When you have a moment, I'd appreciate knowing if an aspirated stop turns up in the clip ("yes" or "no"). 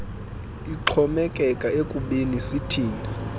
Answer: yes